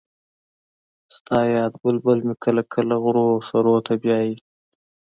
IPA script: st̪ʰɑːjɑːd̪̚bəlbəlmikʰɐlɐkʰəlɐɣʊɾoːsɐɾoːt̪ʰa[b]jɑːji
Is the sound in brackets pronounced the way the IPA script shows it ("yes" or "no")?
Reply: yes